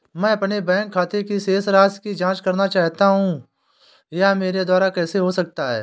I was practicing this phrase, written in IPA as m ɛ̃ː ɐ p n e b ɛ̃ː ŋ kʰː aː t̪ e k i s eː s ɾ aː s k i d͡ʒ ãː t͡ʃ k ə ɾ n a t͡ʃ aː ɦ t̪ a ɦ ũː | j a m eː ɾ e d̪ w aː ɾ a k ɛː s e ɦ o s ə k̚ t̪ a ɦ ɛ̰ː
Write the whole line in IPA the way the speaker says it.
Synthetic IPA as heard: m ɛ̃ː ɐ p n e b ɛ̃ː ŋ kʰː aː t̪ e k i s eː s ɾ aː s k i d͡ʒ ãː t͡ʃ k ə ɾ n a t͡ʃ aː ɦ t̪ a ɦ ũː | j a m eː ɾ e d̪ w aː ɾ a k ɛː s e ɦ o s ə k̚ t̪ a ɦ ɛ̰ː